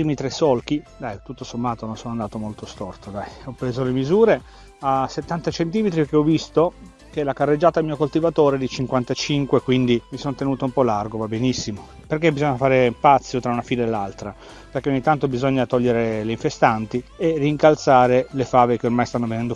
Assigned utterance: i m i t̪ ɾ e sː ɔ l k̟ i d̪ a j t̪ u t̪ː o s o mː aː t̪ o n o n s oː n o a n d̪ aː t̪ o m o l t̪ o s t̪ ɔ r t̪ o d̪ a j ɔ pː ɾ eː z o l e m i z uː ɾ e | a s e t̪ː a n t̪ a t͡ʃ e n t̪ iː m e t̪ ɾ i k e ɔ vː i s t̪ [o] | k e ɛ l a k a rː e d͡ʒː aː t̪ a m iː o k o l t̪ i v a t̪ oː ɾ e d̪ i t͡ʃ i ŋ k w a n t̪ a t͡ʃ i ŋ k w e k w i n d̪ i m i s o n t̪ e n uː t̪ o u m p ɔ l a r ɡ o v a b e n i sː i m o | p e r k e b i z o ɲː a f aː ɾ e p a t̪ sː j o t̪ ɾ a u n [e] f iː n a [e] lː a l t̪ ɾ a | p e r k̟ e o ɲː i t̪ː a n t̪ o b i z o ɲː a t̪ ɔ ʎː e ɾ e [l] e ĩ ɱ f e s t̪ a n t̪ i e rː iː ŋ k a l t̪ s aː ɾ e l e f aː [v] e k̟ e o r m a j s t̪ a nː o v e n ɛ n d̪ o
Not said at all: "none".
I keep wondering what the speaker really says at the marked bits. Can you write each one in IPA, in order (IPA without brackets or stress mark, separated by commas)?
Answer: o, a, e, l, v